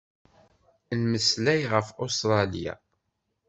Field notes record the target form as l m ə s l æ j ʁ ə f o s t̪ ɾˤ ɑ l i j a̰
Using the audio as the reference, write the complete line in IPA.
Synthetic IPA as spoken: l m ə s l æ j ʁ ə f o s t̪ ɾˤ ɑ l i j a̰